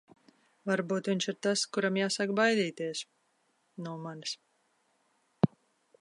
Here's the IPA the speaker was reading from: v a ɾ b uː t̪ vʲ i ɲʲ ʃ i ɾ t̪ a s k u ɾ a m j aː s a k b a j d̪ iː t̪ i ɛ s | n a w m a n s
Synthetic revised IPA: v a ɾ b uː t̪ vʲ i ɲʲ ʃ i ɾ t̪ a s k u ɾ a m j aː s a k b a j d̪ iː t̪ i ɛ s | n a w m a n s